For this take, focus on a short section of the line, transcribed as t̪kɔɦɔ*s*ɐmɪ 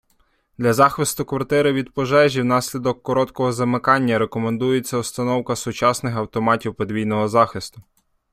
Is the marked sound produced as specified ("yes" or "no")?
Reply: no